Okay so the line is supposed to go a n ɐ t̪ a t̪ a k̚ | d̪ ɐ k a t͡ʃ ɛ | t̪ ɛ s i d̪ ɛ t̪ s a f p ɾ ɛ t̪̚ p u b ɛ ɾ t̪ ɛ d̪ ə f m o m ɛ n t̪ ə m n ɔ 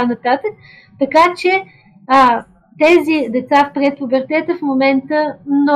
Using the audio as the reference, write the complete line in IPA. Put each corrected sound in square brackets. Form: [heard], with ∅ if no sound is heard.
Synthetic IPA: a n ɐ t̪ a t̪ [ə] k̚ | [t̪] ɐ k a t͡ʃ ɛ | t̪ ɛ [z] i d̪ ɛ t̪ s a f p ɾ ɛ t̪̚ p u b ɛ ɾ t̪ ɛ [t̪] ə f m o m ɛ n t̪ ə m n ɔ